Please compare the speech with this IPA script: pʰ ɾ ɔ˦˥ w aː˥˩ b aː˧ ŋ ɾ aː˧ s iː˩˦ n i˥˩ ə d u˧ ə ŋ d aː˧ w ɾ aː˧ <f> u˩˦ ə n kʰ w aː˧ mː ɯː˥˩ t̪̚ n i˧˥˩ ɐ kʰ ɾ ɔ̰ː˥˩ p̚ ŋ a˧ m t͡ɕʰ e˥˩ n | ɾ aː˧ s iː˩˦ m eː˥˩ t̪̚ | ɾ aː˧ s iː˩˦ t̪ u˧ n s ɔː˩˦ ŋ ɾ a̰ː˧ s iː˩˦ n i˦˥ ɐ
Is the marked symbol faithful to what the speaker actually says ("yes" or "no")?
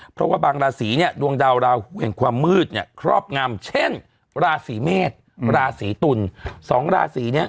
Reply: no